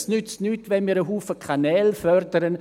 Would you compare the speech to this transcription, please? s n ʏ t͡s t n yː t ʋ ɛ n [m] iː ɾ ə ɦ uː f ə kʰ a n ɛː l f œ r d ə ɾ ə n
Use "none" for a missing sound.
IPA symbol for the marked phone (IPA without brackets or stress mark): m